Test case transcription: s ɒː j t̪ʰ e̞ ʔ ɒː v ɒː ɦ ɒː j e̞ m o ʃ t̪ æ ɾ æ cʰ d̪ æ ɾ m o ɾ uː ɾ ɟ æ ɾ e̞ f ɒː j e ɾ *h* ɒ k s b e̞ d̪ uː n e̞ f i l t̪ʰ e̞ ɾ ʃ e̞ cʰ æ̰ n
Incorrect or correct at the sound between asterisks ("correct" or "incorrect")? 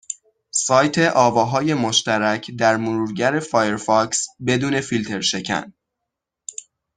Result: incorrect